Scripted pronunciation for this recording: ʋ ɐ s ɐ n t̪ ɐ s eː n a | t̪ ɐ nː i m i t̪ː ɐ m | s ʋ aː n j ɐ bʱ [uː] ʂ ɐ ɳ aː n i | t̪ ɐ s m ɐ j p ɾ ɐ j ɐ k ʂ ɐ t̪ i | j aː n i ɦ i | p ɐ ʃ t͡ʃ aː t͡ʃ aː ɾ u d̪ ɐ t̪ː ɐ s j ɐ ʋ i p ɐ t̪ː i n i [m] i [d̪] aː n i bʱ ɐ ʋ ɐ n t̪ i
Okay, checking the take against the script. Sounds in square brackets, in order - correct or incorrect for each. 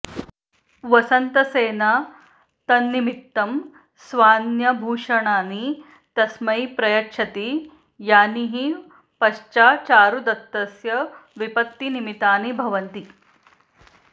correct, correct, incorrect: t̪

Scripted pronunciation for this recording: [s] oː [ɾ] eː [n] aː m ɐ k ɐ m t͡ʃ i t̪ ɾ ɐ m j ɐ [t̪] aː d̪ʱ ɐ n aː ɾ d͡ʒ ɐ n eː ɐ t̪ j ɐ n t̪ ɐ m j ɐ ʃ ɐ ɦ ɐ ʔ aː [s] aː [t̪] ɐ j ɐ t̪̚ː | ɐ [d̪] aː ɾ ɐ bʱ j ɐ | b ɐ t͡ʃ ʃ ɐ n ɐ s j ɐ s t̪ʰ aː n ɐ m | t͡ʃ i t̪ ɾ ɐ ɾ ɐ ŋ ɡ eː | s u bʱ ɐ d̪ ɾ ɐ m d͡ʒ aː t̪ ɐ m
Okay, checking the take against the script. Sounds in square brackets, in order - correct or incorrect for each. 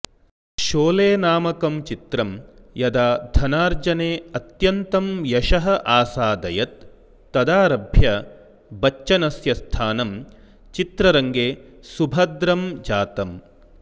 incorrect: ʃ, incorrect: l, correct, incorrect: d̪, correct, incorrect: d̪, correct

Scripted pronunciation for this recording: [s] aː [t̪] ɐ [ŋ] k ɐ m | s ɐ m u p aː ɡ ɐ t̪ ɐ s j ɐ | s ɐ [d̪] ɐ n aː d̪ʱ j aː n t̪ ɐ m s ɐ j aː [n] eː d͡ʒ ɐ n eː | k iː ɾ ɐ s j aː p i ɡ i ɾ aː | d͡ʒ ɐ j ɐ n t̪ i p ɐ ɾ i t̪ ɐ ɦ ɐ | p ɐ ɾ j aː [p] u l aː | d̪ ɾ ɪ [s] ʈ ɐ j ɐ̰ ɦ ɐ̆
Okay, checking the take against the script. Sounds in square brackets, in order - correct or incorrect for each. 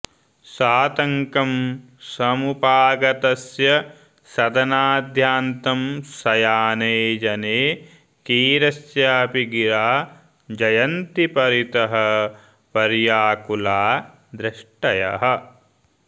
correct, correct, correct, correct, correct, incorrect: k, incorrect: ʂ

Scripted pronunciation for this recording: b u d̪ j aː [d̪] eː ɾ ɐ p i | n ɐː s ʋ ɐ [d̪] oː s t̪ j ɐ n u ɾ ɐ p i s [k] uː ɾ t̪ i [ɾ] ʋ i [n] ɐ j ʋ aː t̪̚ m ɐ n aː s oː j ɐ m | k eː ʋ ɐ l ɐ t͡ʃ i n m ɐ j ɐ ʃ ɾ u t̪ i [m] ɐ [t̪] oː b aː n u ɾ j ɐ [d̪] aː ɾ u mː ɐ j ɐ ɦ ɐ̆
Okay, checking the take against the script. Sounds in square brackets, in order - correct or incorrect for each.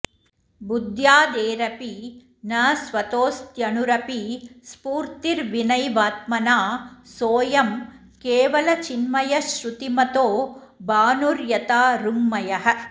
correct, incorrect: t̪, incorrect: p, correct, correct, correct, correct, incorrect: t̪

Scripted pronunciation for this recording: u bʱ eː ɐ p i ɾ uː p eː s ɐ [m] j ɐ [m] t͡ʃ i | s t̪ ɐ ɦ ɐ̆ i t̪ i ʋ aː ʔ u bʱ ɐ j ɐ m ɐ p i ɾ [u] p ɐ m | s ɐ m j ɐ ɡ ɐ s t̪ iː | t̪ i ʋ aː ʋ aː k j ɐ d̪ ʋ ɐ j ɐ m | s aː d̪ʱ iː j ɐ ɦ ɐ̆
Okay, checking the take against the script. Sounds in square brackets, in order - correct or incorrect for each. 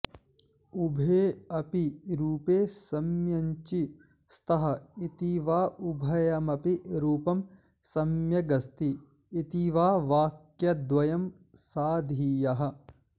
correct, incorrect: ɲ, incorrect: uː

